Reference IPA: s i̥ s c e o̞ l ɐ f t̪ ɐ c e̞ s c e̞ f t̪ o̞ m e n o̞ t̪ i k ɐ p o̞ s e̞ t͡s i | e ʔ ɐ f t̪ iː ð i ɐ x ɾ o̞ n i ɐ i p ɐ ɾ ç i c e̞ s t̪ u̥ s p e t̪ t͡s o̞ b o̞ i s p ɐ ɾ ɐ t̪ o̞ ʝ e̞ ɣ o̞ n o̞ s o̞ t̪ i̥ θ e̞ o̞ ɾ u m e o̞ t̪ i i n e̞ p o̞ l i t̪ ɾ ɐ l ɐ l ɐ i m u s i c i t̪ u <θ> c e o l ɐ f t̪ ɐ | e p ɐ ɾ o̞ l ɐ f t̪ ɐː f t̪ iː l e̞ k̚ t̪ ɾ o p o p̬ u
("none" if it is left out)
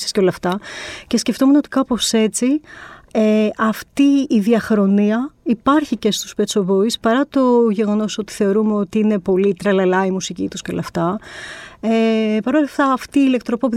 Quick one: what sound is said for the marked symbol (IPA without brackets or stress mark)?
s